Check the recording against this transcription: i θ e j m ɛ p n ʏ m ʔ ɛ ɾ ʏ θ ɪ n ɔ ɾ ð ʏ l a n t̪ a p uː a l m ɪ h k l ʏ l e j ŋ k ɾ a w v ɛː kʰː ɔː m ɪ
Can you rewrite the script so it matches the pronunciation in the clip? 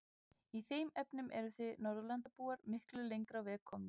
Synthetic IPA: i θ e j m ɛ p n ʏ m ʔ ɛ ɾ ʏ θ ɪ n ɔ ɾ ð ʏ l a n t̪ a p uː a ɾ m ɪ h k l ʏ l e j ŋ k ɾ a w v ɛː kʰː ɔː m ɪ